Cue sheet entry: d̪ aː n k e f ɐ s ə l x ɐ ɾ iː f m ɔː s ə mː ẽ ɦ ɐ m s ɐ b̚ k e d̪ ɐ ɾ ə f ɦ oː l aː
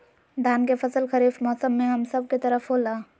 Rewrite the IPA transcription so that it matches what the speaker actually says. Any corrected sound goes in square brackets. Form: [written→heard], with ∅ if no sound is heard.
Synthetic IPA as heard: d̪ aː n k e f ɐ s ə l x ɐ ɾ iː f m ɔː s ə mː ẽ ɦ ɐ m s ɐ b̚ k e [d̪→t̪] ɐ ɾ ə f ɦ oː l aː